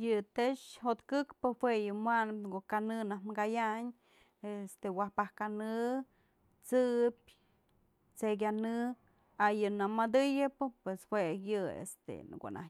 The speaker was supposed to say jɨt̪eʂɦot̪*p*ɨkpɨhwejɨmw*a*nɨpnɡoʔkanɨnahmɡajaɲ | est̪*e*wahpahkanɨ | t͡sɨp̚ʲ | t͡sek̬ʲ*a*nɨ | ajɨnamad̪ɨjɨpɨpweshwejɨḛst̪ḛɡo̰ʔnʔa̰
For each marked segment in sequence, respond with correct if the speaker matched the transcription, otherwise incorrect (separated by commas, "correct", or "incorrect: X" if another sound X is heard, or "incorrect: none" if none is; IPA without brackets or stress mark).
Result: incorrect: k, correct, correct, correct